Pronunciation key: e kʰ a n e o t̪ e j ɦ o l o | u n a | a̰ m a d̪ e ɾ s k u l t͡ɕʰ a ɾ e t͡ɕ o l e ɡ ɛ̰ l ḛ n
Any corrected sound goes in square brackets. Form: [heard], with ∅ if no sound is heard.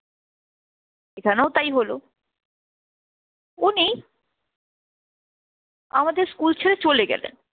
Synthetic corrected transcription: e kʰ a n e o t̪ [a] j ɦ o l o | u n [i] | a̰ m a d̪ e ɾ s k u l t͡ɕʰ [e] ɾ e t͡ɕ o l e ɡ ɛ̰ l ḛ n